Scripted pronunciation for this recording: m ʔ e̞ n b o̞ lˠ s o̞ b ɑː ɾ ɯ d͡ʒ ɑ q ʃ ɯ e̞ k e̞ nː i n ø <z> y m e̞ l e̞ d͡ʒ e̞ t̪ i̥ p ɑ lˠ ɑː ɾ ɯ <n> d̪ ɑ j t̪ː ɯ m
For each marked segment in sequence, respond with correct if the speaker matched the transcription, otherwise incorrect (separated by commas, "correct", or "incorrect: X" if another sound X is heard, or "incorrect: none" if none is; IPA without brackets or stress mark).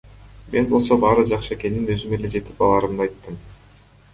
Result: correct, incorrect: m